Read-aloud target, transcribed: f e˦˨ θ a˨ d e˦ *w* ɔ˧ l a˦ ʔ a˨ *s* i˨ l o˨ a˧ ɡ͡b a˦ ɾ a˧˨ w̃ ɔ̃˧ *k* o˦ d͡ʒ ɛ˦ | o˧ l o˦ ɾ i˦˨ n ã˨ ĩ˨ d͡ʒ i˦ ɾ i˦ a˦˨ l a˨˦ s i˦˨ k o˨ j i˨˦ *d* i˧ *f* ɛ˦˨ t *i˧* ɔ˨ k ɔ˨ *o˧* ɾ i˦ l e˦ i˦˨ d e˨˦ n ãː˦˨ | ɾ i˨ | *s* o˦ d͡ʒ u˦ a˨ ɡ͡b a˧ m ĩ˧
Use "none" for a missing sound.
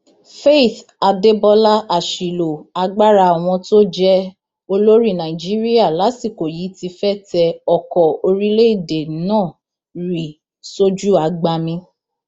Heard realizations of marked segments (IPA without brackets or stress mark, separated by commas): b, ʃ, t, t, f, ɛ˧, o˧, s